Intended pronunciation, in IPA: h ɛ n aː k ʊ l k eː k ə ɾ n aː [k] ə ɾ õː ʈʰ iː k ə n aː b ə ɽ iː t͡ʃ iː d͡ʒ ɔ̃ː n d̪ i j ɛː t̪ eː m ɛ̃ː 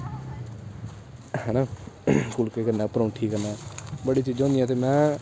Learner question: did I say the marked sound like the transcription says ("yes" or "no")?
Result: no